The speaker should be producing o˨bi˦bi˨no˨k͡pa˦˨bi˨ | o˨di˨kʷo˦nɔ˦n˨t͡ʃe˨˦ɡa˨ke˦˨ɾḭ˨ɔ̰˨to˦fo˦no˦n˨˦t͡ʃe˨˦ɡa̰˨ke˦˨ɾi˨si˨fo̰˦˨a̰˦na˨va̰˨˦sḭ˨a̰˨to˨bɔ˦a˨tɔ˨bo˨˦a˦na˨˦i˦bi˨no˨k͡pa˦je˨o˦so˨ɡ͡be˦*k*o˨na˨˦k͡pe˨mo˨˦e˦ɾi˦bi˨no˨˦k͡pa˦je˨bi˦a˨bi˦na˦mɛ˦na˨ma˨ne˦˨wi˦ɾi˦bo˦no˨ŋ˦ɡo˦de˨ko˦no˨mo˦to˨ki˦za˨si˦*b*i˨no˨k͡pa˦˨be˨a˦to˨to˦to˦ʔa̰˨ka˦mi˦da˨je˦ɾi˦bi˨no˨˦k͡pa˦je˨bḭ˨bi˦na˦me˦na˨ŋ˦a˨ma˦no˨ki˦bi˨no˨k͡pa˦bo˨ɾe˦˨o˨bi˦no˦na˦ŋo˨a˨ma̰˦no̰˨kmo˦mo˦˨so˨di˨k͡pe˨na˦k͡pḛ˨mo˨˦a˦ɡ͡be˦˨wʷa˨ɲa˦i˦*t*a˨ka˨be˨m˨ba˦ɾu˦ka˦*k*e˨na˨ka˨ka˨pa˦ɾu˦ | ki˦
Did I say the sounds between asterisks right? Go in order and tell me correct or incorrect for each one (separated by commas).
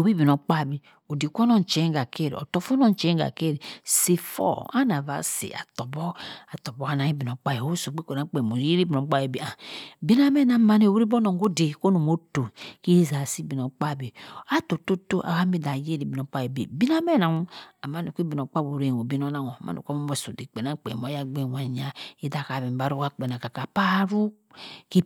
correct, correct, incorrect, incorrect